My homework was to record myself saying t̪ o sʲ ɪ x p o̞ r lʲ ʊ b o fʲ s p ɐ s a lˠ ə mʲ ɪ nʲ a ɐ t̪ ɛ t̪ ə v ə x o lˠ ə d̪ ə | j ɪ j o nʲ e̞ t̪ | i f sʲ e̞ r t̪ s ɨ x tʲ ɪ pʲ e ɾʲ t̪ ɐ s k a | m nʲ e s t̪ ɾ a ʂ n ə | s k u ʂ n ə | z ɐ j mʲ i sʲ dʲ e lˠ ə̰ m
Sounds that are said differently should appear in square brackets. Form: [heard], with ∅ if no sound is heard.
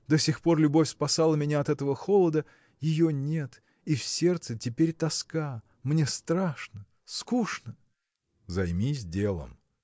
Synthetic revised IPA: [d̪] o sʲ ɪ x p o̞ r lʲ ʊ b o fʲ s p ɐ s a lˠ ə mʲ ɪ nʲ a ɐ t̪ ɛ t̪ ə v ə x o lˠ ə d̪ ə | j ɪ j o nʲ e̞ t̪ | i f sʲ e̞ r t̪ s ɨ [∅] tʲ ɪ pʲ e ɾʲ t̪ ɐ s k a | m nʲ e s t̪ ɾ a ʂ n ə | s k u ʂ n ə | z ɐ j mʲ i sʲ dʲ e lˠ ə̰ m

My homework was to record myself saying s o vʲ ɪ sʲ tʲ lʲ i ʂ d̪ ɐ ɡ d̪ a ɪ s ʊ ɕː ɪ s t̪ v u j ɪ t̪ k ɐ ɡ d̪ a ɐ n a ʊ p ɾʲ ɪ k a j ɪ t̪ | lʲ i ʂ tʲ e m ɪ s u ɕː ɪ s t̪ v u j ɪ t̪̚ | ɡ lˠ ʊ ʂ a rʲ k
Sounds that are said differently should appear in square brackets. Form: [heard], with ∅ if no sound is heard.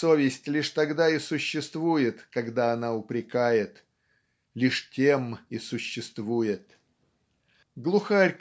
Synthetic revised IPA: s o vʲ ɪ sʲ tʲ lʲ i ʂ [t̪] ɐ ɡ d̪ a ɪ s ʊ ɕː ɪ s t̪ v u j ɪ t̪ k ɐ ɡ d̪ a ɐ n a ʊ p ɾʲ ɪ k a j ɪ t̪ | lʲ i ʂ tʲ e m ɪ s [ʊ] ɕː ɪ s t̪ v u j ɪ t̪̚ | ɡ lˠ ʊ [x] a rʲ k

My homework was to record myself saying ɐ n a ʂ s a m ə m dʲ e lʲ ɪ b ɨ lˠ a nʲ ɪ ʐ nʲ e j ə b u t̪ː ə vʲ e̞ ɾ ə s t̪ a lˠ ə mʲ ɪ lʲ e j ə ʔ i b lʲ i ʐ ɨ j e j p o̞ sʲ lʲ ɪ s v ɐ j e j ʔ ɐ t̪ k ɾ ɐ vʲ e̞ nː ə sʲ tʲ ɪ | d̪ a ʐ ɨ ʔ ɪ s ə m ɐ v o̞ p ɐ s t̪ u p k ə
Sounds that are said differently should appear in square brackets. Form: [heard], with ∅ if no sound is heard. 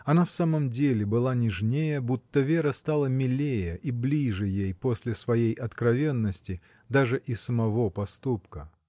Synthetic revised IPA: ɐ n a [f] s a m ə m dʲ e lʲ ɪ b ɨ lˠ a nʲ ɪ ʐ nʲ e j ə b u t̪ː ə vʲ e̞ ɾ ə s t̪ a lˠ ə mʲ ɪ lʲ e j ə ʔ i b lʲ i ʐ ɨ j e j p o̞ sʲ lʲ ɪ s v ɐ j e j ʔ ɐ t̪ k ɾ ɐ vʲ e̞ nː ə sʲ tʲ ɪ | d̪ a ʐ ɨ ʔ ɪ s ə m ɐ v o̞ p ɐ s t̪ u p k ə

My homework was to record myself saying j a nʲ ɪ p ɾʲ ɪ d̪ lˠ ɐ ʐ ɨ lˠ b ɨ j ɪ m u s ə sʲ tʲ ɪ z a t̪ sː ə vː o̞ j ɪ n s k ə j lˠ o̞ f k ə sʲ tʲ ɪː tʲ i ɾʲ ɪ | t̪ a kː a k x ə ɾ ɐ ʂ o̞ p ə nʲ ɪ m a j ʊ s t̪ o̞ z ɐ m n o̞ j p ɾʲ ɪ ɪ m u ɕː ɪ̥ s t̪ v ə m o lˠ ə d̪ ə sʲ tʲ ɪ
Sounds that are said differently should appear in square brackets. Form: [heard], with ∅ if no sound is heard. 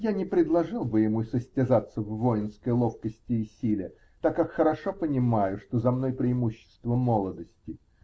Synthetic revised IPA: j a nʲ ɪ p ɾʲ ɪ d̪ lˠ ɐ ʐ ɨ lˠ b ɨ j ɪ m u s ə sʲ tʲ ɪ z a t̪ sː ə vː o̞ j ɪ n s k ə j lˠ o̞ f k ə sʲ tʲ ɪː [sʲ] i [lʲ] ɪ | t̪ a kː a k x ə ɾ ɐ ʂ o̞ p ə nʲ ɪ m a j ʊ [ʂ] t̪ o̞ z ɐ m n o̞ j p ɾʲ ɪ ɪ m u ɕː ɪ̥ s t̪ v ə m o lˠ ə d̪ ə sʲ tʲ ɪ

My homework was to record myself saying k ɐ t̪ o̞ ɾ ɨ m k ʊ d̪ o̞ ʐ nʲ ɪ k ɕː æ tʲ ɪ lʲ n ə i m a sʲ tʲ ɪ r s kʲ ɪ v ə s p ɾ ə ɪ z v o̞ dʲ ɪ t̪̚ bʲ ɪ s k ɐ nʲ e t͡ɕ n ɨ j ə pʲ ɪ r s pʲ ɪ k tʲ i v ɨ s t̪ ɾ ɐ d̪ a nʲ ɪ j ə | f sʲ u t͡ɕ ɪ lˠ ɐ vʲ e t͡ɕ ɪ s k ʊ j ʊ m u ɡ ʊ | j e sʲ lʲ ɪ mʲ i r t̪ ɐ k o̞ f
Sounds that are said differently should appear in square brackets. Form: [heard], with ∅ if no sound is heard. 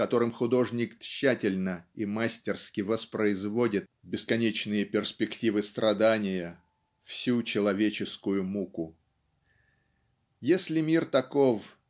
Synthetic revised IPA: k ɐ t̪ o̞ ɾ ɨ m [x] ʊ d̪ o̞ ʐ nʲ ɪ k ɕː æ tʲ ɪ lʲ n ə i m a sʲ tʲ ɪ r s kʲ ɪ v ə s p ɾ ə ɪ z v o̞ dʲ ɪ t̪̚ bʲ ɪ s k ɐ nʲ e t͡ɕ n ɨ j ə pʲ ɪ r s pʲ ɪ k tʲ i v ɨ s t̪ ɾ ɐ d̪ a nʲ ɪ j ə | f sʲ u t͡ɕ ɪ lˠ ɐ vʲ e t͡ɕ ɪ s k ʊ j ʊ m u [k] ʊ | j e sʲ lʲ ɪ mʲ i r t̪ ɐ k o̞ f

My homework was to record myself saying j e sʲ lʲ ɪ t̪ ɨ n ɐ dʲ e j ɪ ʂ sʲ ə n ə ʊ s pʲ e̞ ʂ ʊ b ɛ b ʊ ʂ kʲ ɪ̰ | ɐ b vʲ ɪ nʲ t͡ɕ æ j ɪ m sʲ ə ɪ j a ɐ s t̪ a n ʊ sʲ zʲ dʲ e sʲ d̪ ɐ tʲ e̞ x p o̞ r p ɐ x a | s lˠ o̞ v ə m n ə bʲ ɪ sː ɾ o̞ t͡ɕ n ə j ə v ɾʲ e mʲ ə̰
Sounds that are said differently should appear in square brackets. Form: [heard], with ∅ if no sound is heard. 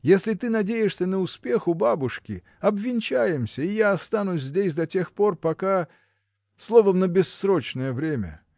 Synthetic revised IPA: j e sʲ lʲ ɪ t̪ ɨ n ɐ dʲ e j ɪ ʂ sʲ ə n ə ʊ s pʲ e̞ [x] ʊ b [a] b ʊ ʂ kʲ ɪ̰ | ɐ b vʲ ɪ nʲ t͡ɕ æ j ɪ m sʲ ə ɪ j a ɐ s t̪ a n ʊ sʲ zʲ dʲ e sʲ d̪ ɐ tʲ e̞ x p o̞ r p ɐ [k] a | s lˠ o̞ v ə m n ə bʲ ɪ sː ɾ o̞ t͡ɕ n ə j ə v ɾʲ e mʲ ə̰

